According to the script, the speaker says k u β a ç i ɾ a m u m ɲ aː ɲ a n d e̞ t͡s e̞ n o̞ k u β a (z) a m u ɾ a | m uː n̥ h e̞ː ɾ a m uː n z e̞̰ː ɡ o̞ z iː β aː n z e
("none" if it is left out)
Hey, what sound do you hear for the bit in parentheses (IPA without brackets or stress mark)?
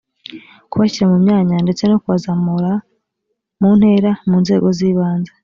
z